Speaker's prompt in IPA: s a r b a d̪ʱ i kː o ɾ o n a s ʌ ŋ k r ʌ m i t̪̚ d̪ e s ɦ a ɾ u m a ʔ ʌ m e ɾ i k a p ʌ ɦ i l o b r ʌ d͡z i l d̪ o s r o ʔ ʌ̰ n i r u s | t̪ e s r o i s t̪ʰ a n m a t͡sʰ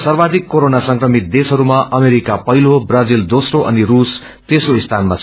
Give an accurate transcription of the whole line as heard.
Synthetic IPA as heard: s ʌ r b a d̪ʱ i kː o ɾ o n a s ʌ ŋ k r ʌ m i t̪̚ d̪ e s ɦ ʌ ɾ u m a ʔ ʌ m e ɾ i k a p ʌ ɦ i l o b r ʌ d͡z i l d̪ o s r o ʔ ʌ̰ n i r u s | t̪ e s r o i s t̪ʰ a n m a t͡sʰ